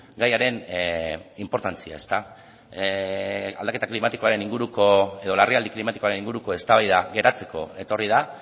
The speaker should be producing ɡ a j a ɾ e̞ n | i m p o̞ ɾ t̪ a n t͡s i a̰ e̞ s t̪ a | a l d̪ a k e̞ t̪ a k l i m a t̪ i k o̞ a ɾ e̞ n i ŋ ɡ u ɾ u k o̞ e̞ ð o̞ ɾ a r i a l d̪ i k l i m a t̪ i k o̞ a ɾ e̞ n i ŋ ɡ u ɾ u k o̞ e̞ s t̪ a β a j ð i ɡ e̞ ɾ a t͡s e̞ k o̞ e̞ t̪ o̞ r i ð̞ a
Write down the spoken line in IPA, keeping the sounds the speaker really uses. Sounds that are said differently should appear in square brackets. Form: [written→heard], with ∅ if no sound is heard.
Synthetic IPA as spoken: ɡ a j a ɾ e̞ n | i m p o̞ ɾ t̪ a n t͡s i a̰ e̞ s t̪ a | a l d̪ a k e̞ t̪ a k l i m a t̪ i k o̞ a ɾ e̞ n i ŋ ɡ u ɾ u k o̞ e̞ ð o̞ [ɾ→l] a r i a l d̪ i k l i m a t̪ i k o̞ a ɾ e̞ n i ŋ ɡ u ɾ u k o̞ e̞ s t̪ a β a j ð [i→a] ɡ e̞ ɾ a t͡s e̞ k o̞ e̞ t̪ o̞ r i ð̞ a